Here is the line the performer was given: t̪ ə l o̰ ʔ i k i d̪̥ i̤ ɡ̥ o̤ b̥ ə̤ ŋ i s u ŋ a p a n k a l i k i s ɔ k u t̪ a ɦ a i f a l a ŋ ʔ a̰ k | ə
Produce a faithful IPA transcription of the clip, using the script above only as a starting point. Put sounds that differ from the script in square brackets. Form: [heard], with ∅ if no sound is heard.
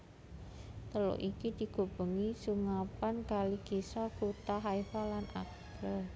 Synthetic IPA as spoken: t̪ ə l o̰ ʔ i k i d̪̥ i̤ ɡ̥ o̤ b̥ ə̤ ŋ i s u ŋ a p a n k a l i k i s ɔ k u t̪ a ɦ a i f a l a [n] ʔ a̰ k | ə